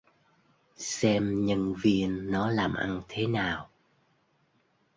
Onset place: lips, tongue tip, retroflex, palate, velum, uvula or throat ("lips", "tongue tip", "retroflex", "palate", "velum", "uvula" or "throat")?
tongue tip